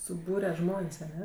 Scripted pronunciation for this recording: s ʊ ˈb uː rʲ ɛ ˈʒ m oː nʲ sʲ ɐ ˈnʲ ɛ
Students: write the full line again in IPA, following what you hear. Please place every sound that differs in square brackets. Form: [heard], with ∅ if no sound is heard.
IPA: s ʊ ˈb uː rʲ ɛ ˈʒ m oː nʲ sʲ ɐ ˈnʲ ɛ